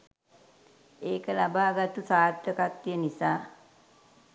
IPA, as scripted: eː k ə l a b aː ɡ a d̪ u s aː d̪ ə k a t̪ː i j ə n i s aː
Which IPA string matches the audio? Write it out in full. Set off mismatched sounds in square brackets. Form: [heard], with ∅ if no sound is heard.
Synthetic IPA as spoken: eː k ə l a b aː ɡ a [t̪] u s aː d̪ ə k a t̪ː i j ə n i s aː